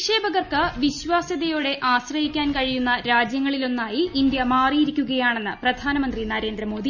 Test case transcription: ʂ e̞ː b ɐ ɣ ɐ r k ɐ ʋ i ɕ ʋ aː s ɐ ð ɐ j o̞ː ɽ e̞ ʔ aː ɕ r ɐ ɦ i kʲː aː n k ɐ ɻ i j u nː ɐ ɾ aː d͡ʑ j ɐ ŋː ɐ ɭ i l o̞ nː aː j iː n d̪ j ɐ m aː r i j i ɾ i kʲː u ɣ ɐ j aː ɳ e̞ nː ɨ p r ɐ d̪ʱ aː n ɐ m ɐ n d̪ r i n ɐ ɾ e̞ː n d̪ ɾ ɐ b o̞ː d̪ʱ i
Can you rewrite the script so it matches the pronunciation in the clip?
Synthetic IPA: ʂ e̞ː b ɐ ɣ ɐ r k ɐ ʋ i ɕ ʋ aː s ɐ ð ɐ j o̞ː ɽ e̞ ʔ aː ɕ r ɐ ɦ i kʲː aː n k ɐ ɻ i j u nː ɐ ɾ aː d͡ʑ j ɐ ŋː ɐ ɭ i l o̞ nː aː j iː n d̪ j ɐ m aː r i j i ɾ i kʲː u ɣ ɐ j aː ɳ e̞ nː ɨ p r ɐ d̪ʱ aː n ɐ m ɐ n d̪ r i n ɐ ɾ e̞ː n d̪ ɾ ɐ m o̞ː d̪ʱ i